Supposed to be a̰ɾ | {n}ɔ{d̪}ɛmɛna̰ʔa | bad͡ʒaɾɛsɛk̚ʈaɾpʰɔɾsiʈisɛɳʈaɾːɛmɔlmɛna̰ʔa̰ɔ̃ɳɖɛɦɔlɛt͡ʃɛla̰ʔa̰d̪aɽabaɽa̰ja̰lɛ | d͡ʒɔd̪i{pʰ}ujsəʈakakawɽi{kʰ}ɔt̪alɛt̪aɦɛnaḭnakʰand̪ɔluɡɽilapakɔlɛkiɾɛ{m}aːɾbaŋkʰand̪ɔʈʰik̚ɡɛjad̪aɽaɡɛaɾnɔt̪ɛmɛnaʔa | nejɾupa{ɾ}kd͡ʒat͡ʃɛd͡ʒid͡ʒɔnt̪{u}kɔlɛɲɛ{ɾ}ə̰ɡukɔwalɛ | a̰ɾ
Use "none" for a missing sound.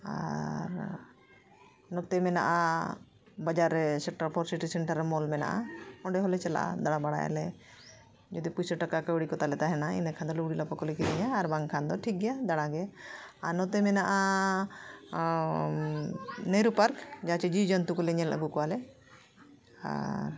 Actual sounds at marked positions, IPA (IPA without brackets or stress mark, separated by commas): n, t̪, p, k, ɲ, ɾ, u, l